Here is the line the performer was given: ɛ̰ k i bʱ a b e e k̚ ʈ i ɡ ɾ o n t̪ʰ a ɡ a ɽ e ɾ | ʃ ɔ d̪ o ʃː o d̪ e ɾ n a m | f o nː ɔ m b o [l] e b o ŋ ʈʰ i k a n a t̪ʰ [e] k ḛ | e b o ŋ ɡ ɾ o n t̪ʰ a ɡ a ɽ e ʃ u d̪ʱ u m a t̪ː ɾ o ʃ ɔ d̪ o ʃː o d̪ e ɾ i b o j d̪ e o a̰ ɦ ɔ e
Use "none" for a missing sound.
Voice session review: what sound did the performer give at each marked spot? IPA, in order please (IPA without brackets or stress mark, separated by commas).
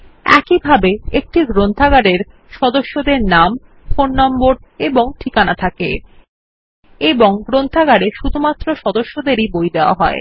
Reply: ɾ, a